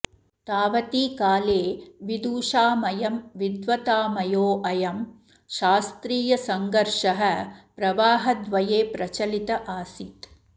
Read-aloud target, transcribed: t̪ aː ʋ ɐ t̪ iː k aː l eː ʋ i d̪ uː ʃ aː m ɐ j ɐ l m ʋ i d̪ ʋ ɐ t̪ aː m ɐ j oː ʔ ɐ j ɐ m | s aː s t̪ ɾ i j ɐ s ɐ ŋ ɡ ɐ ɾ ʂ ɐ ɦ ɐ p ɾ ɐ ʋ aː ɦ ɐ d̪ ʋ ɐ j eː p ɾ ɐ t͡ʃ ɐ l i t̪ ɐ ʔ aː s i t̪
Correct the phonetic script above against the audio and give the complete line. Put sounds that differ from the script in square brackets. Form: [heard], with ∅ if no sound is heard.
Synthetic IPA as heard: t̪ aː ʋ ɐ t̪ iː k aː l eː ʋ i d̪ uː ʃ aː m ɐ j ɐ [∅] m ʋ i d̪ ʋ ɐ t̪ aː m ɐ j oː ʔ ɐ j ɐ m | [ʃ] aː s t̪ ɾ [iː] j ɐ s ɐ ŋ ɡ ɐ ɾ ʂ ɐ ɦ ɐ p ɾ ɐ ʋ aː ɦ ɐ d̪ ʋ ɐ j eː p ɾ ɐ t͡ʃ ɐ l i t̪ ɐ ʔ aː s i t̪